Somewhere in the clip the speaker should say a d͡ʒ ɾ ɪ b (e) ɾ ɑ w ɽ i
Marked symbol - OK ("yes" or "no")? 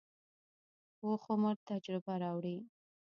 no